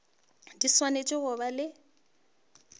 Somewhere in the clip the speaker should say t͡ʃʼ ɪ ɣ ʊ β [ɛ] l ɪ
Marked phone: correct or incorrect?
incorrect